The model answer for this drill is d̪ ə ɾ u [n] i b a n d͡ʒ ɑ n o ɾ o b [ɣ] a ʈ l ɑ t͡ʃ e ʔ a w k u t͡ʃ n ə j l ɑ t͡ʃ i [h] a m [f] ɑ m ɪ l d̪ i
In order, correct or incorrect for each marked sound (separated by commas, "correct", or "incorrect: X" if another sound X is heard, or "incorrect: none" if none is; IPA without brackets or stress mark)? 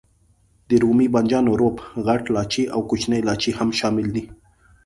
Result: incorrect: m, correct, correct, incorrect: ʃ